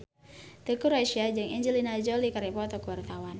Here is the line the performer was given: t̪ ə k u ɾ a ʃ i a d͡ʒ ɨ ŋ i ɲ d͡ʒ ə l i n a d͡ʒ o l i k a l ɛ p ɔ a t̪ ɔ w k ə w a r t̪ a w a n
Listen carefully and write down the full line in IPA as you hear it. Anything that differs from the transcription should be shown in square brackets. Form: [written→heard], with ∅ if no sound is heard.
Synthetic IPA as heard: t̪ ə k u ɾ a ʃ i a d͡ʒ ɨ ŋ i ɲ d͡ʒ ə l i n a d͡ʒ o l i k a [l→ɾ] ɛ p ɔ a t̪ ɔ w k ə w a r t̪ a w a n